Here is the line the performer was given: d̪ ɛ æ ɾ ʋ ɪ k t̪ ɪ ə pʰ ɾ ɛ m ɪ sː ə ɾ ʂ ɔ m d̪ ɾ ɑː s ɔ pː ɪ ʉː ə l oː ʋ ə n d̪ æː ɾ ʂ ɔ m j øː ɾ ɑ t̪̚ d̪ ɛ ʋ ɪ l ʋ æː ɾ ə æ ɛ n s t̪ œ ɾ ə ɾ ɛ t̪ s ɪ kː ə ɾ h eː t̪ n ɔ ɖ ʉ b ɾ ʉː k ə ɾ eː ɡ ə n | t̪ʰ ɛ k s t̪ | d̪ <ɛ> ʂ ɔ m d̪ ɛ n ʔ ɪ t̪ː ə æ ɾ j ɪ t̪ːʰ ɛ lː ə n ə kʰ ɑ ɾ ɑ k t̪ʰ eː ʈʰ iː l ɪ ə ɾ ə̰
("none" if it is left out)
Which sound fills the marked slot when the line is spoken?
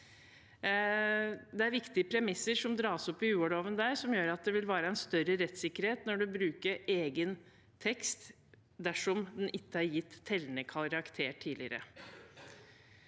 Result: æ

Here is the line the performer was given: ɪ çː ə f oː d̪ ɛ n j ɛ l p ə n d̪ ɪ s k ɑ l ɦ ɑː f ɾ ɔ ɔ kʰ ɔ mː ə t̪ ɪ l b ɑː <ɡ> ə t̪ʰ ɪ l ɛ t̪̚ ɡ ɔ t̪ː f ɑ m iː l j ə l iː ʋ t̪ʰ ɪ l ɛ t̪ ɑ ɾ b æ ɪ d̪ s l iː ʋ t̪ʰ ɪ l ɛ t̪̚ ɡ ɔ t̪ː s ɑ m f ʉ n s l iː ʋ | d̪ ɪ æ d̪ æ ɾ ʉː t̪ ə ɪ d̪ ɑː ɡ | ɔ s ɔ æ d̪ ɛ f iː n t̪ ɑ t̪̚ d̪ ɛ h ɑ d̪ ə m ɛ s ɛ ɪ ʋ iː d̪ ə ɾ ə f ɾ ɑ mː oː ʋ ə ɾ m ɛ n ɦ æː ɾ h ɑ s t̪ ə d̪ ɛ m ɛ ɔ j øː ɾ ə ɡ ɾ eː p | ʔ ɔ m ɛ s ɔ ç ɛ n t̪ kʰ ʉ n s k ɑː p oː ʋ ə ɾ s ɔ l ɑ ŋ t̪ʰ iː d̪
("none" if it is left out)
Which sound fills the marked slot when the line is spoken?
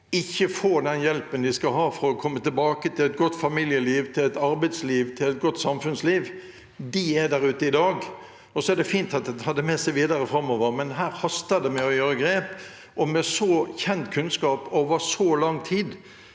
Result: k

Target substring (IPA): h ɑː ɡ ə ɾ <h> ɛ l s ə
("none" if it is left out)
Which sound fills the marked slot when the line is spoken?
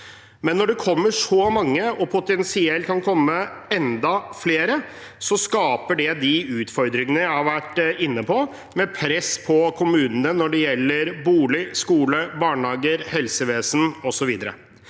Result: h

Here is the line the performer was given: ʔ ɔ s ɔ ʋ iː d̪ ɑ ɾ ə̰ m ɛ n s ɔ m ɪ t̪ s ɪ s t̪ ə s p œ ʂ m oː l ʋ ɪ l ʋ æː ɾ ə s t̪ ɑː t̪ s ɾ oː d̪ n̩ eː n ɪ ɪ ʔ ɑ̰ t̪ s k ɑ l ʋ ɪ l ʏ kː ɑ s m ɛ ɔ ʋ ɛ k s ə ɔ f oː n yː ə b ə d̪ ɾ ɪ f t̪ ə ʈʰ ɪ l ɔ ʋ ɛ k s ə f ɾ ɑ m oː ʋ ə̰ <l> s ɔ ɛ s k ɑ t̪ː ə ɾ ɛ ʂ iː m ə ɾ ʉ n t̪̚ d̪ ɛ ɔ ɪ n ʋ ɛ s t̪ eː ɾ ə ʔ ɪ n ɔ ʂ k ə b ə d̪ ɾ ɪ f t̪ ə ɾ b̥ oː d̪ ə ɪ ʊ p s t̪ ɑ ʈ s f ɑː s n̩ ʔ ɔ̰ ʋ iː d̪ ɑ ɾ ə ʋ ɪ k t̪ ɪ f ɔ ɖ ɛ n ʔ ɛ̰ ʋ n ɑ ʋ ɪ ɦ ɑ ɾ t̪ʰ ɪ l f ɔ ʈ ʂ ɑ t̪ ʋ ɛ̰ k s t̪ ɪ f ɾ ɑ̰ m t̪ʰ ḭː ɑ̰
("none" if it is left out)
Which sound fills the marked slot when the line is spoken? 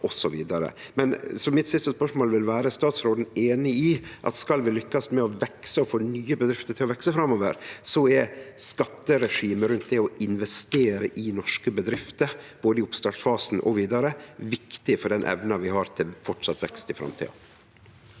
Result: ɾ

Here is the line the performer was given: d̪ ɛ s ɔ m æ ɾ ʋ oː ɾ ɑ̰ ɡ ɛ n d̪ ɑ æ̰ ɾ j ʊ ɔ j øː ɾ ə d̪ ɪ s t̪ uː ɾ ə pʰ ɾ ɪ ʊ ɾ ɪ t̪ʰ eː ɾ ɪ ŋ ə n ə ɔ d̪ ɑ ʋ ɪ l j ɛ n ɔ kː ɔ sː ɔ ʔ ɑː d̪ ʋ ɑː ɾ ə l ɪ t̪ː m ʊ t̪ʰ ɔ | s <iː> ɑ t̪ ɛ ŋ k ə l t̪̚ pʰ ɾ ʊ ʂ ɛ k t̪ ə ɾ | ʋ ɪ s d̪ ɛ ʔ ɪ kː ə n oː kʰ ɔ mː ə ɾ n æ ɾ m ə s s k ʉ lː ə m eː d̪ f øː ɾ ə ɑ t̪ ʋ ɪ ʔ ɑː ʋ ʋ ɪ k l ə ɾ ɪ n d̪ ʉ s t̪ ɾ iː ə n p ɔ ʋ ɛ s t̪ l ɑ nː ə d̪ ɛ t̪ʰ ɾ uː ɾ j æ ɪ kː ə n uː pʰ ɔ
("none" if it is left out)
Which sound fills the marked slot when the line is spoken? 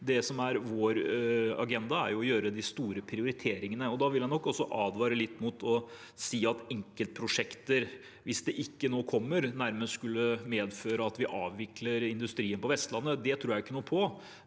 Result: iː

